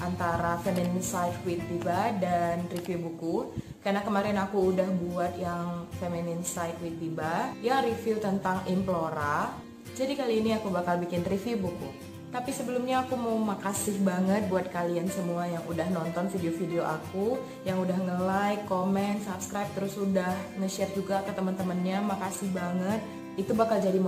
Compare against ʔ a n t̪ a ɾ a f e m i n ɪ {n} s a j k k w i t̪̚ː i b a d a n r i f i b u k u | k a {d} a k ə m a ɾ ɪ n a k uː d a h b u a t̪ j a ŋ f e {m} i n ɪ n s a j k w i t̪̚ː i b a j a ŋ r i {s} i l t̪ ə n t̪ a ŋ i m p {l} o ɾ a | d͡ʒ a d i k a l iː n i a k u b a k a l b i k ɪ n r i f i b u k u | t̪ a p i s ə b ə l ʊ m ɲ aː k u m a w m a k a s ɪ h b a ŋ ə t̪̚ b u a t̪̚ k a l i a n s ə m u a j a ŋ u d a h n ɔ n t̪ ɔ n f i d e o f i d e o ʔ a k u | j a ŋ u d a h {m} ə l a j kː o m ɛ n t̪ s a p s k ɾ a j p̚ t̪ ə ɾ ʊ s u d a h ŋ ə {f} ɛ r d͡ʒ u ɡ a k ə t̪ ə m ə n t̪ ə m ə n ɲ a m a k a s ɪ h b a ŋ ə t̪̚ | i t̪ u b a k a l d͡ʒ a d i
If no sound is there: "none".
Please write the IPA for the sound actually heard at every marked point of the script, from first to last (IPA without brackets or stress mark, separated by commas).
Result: n, n, m, f, l, ŋ, ʃ